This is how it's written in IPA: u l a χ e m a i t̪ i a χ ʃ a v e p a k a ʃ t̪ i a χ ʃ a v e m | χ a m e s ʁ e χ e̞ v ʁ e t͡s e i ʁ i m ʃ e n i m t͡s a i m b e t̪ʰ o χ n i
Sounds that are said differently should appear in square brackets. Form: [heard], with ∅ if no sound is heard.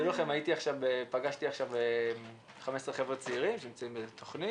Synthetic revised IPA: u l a χ e m a i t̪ i a χ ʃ a v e p a [ɡ] a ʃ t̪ i a χ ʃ a v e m | χ a m e s ʁ e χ e̞ v ʁ e t͡s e i ʁ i m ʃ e n i m t͡s a i m b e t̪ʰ o χ n i